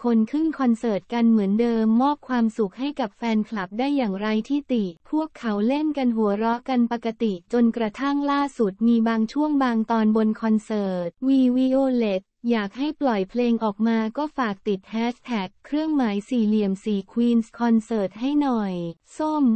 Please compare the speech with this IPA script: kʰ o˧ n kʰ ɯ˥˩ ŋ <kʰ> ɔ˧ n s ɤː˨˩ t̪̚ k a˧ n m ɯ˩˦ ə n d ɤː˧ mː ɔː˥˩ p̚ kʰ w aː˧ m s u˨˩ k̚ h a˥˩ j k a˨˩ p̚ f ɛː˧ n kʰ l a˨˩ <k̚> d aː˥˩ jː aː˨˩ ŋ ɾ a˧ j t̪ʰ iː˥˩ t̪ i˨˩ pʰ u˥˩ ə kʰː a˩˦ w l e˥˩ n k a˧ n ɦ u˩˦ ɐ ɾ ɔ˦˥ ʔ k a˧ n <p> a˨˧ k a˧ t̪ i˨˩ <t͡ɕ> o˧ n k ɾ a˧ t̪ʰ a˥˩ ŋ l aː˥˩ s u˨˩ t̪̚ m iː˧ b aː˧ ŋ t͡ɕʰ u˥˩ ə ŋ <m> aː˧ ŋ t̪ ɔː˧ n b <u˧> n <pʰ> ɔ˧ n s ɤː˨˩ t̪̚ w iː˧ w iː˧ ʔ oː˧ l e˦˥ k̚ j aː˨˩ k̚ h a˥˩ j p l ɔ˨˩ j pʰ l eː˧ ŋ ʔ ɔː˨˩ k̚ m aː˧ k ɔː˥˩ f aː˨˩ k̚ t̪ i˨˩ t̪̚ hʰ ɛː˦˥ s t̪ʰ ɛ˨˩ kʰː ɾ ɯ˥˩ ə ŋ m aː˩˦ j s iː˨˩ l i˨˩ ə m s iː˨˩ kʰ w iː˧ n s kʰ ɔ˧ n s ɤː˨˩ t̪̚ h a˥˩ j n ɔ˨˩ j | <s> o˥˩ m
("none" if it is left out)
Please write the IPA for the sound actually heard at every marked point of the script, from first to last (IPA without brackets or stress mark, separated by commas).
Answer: kʰ, p̚, p, t͡ɕ, b, o˧, kʰ, s